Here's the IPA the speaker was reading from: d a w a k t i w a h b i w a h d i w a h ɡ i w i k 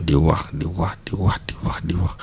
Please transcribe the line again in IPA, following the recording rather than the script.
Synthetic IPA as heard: d i w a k d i w a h d i w a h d i w a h d i w a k